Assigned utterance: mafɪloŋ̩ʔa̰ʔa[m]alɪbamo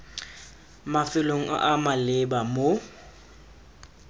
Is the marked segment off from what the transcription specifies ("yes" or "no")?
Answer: no